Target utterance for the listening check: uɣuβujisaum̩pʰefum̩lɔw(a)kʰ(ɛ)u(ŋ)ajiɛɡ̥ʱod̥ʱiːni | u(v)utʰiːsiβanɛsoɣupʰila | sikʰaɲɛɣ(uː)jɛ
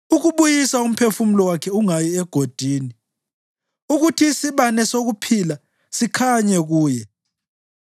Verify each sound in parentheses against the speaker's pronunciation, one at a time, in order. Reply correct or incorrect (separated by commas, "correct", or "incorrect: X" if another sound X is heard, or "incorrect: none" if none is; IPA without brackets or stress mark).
correct, correct, correct, incorrect: ɣ, correct